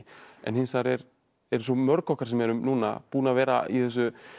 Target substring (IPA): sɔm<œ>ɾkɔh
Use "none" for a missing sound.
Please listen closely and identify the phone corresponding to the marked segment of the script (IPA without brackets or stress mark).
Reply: œ